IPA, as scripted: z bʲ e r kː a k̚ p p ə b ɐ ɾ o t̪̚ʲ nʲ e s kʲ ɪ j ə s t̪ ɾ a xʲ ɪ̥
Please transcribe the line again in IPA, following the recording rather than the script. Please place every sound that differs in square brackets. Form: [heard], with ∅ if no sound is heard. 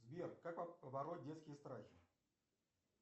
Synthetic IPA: z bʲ e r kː a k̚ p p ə b ɐ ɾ o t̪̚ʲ [dʲ] e s kʲ ɪ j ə s t̪ ɾ a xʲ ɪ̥